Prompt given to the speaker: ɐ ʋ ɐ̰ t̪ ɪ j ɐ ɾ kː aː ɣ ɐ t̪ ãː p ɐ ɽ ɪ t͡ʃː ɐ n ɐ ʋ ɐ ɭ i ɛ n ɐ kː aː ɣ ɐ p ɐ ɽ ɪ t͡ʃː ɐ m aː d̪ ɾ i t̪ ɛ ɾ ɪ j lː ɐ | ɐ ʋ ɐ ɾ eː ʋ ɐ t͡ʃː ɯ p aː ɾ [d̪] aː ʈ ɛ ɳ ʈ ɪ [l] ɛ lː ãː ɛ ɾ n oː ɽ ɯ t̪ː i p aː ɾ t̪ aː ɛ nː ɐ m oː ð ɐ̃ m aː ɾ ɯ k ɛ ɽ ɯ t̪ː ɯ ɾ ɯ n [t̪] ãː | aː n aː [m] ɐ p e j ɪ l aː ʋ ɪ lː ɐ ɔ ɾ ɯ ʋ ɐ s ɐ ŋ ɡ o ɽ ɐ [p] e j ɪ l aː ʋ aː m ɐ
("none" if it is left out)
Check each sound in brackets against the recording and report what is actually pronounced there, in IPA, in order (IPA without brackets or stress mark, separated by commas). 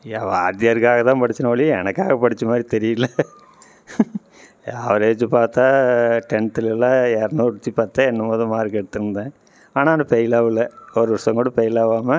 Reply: t̪, l, d̪, n, p